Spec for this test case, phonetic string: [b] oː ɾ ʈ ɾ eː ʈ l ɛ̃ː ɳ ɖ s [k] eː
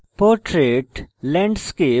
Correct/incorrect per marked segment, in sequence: incorrect, correct

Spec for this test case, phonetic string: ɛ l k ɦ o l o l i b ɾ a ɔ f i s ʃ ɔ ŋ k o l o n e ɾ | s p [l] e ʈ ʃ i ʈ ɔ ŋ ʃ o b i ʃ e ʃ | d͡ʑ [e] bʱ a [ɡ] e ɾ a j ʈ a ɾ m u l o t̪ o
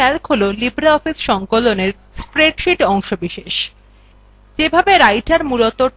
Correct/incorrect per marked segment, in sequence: incorrect, correct, incorrect

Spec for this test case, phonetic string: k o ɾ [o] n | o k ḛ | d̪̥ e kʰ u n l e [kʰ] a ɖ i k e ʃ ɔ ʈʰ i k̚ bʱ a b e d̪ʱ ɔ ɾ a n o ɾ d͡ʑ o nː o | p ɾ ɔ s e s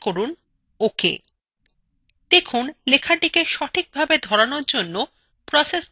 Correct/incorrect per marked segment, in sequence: incorrect, correct

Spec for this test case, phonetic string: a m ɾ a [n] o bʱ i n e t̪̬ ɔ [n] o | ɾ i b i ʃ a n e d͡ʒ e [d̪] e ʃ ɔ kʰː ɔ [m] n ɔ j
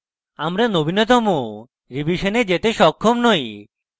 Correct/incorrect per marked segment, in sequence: correct, incorrect, incorrect, correct

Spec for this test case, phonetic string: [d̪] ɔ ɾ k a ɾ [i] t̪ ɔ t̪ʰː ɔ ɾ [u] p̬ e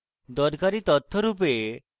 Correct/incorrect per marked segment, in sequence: correct, correct, correct

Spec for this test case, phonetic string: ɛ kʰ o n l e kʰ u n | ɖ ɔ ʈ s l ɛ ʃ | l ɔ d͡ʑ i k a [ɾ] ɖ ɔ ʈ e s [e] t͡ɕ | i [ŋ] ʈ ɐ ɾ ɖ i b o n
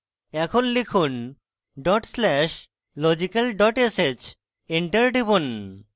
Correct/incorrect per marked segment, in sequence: incorrect, correct, incorrect

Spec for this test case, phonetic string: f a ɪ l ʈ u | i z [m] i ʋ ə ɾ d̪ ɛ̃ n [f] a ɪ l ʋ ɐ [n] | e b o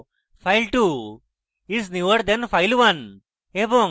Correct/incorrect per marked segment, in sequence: incorrect, correct, correct

